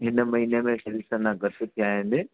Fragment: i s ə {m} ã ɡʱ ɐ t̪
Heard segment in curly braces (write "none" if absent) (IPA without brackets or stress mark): n